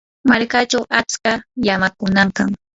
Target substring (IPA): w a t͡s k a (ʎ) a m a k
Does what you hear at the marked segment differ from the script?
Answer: yes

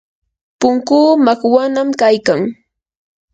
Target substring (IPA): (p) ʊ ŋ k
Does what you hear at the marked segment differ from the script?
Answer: no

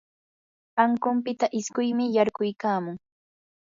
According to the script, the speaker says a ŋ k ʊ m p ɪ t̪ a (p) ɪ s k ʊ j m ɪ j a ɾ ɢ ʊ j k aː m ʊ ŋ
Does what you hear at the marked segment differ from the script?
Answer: yes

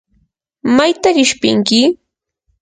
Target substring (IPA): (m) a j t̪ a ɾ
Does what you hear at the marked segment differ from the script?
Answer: no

